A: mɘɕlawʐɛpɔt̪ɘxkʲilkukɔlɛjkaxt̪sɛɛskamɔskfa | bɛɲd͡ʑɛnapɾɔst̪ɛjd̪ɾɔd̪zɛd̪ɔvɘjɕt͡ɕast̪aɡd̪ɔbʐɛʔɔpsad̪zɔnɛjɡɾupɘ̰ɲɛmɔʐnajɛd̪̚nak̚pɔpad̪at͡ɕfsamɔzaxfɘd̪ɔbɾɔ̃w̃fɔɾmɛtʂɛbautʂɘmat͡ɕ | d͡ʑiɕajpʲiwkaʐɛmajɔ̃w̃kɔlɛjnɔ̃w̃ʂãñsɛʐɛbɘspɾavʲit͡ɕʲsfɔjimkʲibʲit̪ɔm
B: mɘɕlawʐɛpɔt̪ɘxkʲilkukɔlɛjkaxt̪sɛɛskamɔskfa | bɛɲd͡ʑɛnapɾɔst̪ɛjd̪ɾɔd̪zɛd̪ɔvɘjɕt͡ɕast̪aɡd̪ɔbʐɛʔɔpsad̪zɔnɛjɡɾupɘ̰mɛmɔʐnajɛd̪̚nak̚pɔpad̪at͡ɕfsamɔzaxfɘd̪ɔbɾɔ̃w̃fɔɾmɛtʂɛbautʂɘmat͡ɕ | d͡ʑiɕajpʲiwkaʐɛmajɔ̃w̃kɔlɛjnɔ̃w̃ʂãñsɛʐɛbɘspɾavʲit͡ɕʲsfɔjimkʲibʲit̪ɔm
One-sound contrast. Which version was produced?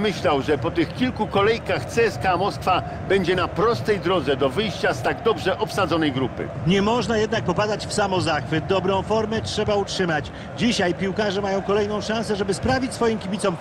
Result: A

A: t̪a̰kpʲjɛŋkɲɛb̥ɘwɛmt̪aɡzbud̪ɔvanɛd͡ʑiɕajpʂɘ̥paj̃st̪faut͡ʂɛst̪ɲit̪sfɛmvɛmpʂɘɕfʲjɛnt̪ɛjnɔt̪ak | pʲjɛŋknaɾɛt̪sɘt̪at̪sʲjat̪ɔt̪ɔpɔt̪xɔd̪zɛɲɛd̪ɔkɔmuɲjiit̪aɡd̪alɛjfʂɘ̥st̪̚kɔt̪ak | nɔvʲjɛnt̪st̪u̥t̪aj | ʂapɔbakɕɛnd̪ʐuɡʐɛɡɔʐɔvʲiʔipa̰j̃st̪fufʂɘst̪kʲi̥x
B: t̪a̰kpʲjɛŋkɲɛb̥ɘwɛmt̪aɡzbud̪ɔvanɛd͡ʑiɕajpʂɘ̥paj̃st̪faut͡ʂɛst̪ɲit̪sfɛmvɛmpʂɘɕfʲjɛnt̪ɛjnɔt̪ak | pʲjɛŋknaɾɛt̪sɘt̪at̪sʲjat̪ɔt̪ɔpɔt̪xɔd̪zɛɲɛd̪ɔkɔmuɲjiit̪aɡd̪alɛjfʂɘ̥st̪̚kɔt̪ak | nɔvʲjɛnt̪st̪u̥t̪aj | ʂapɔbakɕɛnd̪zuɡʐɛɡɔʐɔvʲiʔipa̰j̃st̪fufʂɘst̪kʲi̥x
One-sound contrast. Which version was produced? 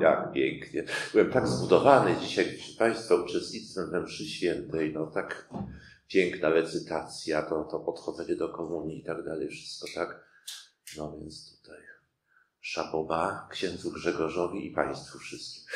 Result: B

